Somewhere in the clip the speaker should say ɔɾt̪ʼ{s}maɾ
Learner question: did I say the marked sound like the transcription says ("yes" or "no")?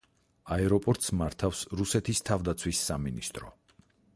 yes